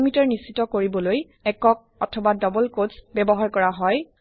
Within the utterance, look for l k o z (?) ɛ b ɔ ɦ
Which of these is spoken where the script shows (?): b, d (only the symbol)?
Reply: b